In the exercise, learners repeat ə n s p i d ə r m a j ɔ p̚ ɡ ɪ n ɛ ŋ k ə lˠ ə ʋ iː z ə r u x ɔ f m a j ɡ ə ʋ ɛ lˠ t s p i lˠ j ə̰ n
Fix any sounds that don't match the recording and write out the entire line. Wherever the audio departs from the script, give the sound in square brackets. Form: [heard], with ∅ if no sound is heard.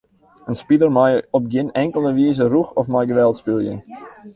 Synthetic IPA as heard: ə n s p i d ə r m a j ɔ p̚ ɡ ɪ n ɛ ŋ k ə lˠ ə ʋ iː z ə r u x ɔ f m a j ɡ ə ʋ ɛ lˠ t s p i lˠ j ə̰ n